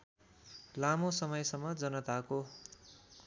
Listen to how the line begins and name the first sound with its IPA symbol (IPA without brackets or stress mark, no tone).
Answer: l